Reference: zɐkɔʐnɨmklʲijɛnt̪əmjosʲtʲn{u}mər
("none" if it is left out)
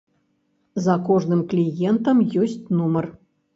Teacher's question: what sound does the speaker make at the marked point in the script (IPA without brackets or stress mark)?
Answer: u